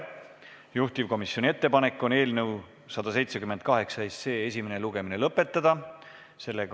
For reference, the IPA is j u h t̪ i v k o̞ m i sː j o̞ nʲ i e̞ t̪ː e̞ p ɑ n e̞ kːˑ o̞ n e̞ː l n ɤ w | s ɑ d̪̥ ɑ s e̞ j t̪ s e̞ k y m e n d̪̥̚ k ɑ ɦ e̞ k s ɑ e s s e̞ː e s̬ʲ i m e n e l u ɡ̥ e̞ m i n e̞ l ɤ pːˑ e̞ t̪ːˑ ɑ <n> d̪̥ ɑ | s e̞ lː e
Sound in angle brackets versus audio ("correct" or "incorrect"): incorrect